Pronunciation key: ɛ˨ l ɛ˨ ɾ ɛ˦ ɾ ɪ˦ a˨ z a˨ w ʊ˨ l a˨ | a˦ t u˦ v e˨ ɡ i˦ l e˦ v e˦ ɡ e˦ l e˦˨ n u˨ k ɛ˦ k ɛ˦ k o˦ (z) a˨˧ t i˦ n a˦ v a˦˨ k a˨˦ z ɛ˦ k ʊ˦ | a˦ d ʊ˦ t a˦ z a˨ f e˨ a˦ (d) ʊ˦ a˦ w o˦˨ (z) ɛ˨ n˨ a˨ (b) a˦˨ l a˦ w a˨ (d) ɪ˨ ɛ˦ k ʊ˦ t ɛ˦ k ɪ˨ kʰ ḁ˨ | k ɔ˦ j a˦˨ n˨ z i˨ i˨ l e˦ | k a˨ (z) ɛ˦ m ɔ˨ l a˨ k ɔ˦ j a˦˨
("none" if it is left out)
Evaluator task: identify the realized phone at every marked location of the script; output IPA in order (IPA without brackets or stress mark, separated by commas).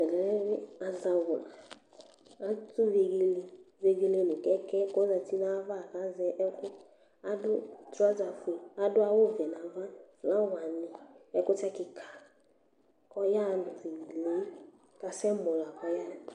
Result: z, d, v, v, n, s